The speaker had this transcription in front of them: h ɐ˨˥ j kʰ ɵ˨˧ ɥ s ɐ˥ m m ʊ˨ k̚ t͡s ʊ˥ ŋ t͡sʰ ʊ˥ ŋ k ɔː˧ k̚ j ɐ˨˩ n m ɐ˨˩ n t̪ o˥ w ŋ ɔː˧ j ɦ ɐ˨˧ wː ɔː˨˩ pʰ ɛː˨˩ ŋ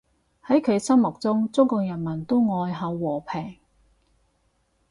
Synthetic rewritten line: h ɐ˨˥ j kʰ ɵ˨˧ ɥ s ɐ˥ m m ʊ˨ k̚ t͡s ʊ˥ ŋ t͡s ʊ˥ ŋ k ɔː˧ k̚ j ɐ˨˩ n m ɐ˨˩ n t̪ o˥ w ŋ ɔː˧ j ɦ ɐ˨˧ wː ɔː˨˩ pʰ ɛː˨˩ ŋ